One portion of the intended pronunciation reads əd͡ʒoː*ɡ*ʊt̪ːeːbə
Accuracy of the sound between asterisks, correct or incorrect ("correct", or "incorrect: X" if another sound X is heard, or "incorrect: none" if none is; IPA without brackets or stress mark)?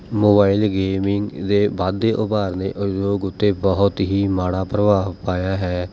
correct